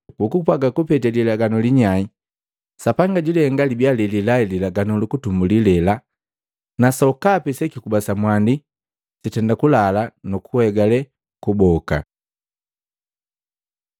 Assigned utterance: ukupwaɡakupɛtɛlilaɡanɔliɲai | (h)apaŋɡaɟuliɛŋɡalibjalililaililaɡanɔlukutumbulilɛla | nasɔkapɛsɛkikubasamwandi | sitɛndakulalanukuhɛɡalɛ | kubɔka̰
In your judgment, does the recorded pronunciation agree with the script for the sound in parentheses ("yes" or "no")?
no